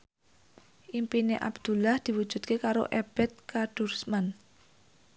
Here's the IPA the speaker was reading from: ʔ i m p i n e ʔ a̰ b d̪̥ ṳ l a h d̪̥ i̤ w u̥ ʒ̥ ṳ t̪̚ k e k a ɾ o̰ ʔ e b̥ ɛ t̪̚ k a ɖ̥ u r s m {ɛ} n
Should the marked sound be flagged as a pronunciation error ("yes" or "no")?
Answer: yes